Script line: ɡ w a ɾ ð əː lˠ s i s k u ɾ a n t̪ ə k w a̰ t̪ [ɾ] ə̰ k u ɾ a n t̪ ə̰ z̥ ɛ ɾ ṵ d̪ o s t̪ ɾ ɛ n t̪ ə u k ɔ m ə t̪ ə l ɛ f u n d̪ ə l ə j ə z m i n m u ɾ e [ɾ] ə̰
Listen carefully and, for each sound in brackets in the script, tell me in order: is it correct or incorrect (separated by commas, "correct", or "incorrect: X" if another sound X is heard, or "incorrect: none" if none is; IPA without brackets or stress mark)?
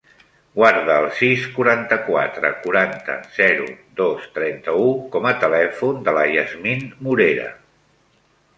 correct, correct